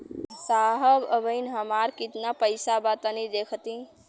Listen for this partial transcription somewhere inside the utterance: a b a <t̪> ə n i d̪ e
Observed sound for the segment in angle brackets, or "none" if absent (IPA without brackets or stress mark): t̪